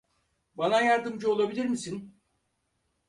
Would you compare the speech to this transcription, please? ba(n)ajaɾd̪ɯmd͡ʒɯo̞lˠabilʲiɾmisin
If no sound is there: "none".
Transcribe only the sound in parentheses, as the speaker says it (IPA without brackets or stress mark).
n